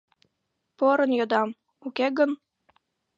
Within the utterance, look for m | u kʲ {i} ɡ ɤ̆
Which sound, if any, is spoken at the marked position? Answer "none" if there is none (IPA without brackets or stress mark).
e